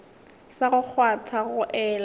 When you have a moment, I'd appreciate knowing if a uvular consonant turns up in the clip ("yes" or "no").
no